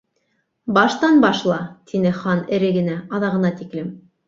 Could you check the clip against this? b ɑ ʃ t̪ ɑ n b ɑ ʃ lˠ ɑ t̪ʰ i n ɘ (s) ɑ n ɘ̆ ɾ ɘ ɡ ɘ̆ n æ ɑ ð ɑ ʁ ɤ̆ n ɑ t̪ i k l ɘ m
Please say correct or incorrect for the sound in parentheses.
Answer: incorrect